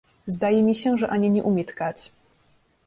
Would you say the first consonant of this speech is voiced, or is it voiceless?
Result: voiced